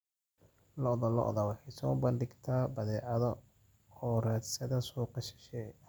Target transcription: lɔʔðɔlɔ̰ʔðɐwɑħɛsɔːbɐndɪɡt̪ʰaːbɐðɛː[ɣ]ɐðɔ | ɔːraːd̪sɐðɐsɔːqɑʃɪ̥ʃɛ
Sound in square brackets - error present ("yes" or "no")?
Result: yes